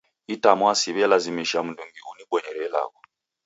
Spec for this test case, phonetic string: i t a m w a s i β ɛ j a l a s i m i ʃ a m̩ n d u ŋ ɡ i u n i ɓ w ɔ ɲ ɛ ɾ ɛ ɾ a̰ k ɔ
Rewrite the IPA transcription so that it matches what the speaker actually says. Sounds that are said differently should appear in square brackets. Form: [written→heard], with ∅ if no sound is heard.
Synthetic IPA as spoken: i t a m w a s i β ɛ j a l a [s→z] i m i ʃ a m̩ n d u ŋ ɡ i u n i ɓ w ɔ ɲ ɛ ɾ ɛ [ɾ→l] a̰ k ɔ